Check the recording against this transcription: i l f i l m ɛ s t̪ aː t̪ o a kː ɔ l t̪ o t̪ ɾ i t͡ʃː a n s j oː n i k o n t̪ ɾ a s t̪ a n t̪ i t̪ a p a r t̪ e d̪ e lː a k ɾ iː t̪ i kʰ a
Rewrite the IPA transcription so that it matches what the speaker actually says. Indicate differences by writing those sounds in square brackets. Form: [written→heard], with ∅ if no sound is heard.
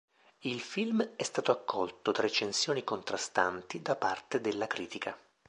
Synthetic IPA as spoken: i l f i l m ɛ s t̪ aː t̪ o a kː ɔ l t̪ o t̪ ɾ [i→e] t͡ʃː [a→e] n s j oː n i k o n t̪ ɾ a s t̪ a n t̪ i [t̪→d̪] a p a r t̪ e d̪ e lː a k ɾ iː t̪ i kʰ a